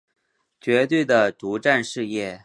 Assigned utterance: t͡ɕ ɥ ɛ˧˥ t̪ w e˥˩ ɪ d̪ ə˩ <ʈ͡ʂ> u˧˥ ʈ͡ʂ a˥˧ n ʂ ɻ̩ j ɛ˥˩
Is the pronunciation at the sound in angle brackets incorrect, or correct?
correct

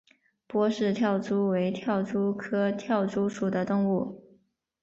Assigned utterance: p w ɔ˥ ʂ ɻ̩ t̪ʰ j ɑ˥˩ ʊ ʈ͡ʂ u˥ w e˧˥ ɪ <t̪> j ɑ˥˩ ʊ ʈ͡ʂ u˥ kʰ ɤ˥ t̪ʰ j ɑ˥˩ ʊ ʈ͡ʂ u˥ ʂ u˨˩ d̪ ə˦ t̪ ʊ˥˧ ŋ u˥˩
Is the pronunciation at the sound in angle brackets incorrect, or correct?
incorrect: t̪ʰ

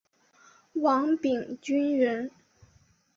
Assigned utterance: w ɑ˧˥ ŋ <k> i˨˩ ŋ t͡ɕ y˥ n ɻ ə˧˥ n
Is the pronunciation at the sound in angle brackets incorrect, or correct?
incorrect: p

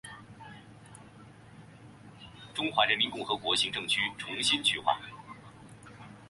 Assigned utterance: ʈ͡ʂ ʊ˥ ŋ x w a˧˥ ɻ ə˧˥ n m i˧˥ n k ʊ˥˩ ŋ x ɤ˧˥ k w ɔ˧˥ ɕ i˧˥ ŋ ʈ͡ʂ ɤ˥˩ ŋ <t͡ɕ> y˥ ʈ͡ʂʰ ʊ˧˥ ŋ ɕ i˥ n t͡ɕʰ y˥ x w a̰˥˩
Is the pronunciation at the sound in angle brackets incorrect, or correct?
incorrect: t͡ɕʰ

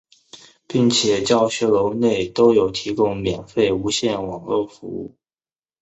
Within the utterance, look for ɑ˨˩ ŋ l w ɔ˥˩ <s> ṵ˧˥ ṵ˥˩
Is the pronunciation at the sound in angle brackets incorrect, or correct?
incorrect: f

